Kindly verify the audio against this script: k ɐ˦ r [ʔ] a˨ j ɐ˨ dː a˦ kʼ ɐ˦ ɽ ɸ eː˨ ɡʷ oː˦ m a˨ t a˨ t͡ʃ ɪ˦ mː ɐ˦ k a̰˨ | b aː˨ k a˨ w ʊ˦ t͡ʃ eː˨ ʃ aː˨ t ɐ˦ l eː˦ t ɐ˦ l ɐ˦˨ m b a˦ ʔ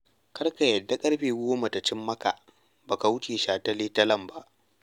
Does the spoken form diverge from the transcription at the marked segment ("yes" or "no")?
yes